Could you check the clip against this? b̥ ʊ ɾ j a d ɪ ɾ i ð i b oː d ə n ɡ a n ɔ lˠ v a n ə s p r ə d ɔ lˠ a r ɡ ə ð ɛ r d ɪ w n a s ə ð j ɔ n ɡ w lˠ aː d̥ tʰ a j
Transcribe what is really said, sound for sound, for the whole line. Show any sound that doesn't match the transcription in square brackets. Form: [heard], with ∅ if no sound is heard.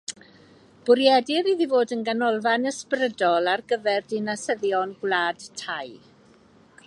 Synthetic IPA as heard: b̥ ʊ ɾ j [ɛ] d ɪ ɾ i ð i [v] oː d ə n ɡ a n ɔ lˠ v a n ə s p r ə d ɔ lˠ a r ɡ ə [v] ɛ r d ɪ [∅] n a s ə ð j ɔ n ɡ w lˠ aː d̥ tʰ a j